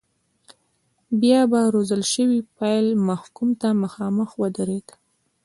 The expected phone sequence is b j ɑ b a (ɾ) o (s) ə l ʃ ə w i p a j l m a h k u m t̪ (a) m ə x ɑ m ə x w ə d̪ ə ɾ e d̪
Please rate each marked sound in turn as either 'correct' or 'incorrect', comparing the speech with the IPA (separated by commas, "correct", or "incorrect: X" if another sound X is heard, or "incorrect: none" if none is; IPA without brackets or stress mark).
correct, incorrect: z, correct